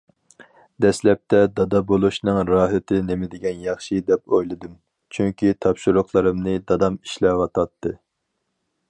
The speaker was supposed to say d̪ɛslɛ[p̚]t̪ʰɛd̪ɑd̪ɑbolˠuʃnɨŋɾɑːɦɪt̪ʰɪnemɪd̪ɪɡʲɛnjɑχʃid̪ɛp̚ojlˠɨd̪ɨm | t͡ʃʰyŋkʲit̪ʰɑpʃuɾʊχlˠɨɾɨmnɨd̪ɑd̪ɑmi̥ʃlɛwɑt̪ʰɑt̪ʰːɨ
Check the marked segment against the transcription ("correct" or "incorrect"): correct